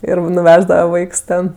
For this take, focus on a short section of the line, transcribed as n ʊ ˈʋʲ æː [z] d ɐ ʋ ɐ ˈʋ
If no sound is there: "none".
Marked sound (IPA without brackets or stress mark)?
ʒ